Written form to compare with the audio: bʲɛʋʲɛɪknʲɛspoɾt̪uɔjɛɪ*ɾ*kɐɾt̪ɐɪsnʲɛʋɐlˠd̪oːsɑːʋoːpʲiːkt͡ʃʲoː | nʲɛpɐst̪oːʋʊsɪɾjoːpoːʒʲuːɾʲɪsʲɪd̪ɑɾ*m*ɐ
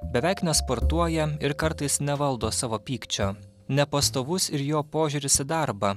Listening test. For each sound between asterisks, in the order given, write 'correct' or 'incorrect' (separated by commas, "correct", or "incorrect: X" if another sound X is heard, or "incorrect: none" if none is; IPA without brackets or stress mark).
correct, incorrect: b